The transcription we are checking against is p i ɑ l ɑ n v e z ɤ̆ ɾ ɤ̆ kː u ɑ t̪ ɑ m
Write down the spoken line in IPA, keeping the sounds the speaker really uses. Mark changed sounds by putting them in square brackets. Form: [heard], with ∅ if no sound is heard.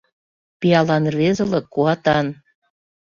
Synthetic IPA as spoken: p i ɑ l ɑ n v e z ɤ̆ [l] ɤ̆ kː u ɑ t̪ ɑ [n]